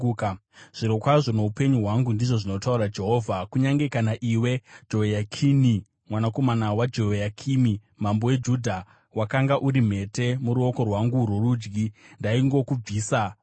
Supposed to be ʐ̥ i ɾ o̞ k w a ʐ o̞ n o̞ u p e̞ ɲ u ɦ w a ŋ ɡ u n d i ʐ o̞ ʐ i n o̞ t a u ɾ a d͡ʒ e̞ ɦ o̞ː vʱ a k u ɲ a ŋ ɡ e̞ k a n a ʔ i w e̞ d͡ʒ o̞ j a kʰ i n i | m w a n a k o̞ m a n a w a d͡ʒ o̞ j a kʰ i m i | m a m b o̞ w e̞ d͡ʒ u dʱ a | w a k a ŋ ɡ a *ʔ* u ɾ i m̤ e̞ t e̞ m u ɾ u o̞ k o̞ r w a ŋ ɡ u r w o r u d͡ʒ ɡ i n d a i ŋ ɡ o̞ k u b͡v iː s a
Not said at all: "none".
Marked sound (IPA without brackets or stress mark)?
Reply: ʔ